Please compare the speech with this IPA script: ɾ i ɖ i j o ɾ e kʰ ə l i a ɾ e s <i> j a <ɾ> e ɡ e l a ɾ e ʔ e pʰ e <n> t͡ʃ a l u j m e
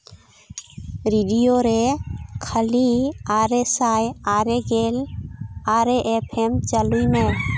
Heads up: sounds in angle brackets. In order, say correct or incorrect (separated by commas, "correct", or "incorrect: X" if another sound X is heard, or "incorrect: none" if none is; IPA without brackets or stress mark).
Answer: incorrect: a, correct, incorrect: m